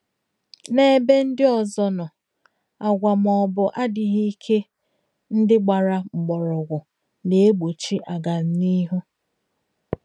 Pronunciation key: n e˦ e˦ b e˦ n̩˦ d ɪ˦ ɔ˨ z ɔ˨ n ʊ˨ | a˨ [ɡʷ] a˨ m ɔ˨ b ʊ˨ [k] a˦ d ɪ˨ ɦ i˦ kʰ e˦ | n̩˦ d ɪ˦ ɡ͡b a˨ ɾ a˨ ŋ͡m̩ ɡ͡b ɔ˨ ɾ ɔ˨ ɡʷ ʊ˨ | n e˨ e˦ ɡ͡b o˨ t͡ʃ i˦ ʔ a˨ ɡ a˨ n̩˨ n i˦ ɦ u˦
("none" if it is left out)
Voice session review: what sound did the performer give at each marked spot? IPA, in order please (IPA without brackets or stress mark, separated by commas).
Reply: ɡʷ, ʔ